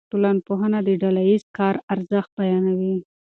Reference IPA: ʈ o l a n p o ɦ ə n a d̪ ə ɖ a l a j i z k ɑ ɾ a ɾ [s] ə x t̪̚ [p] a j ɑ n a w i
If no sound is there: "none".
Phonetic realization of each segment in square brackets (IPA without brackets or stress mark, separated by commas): z, b